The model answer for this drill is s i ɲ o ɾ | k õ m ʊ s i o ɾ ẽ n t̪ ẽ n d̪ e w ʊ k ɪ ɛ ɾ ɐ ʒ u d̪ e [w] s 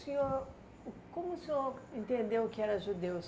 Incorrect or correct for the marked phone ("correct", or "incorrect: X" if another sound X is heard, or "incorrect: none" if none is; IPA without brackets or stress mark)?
correct